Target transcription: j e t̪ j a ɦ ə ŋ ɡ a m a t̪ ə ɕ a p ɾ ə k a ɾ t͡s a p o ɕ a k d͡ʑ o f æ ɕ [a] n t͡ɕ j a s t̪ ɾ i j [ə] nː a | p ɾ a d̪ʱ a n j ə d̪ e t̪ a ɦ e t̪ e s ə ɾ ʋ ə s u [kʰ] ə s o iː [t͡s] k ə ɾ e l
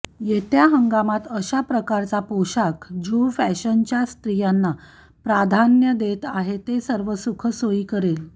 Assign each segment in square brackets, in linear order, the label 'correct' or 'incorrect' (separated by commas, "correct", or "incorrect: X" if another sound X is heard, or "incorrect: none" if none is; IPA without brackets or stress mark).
incorrect: ə, incorrect: a, correct, incorrect: none